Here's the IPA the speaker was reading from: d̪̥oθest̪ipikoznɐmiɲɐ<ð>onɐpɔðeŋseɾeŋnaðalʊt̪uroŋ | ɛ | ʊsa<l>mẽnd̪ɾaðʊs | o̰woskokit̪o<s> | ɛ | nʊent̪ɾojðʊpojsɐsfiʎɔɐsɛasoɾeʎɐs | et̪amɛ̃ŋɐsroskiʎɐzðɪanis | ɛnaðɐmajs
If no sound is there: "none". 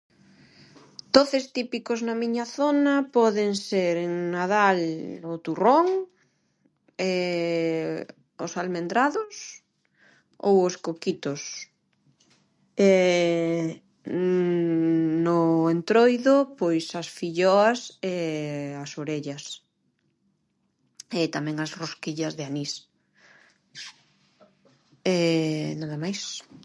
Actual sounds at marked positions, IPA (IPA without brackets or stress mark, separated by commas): θ, l, s